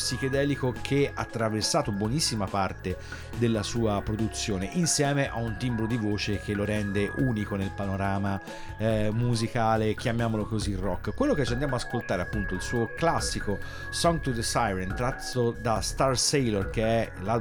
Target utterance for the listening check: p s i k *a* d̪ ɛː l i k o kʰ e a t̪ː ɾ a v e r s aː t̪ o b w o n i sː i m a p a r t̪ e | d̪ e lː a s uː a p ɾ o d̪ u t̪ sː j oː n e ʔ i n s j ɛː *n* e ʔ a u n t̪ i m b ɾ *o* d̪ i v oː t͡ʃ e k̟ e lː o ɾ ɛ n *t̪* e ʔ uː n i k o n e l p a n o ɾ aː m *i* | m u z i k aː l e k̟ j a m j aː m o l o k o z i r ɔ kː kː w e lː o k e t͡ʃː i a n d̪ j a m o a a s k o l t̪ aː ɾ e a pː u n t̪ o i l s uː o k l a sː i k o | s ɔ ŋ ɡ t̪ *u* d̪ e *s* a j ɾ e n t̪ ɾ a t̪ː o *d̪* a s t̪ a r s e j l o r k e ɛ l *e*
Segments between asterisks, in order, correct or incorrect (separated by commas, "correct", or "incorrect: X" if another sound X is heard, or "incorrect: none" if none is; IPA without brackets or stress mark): incorrect: e, incorrect: m, correct, incorrect: d̪, incorrect: a, correct, correct, correct, incorrect: a